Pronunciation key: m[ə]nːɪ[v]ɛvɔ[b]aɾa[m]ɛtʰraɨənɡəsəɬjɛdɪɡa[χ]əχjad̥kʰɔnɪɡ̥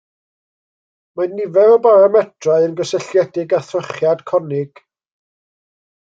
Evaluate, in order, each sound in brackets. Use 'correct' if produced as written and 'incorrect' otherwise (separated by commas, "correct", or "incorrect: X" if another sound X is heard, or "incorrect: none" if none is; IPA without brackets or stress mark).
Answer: incorrect: a, correct, correct, correct, incorrect: θ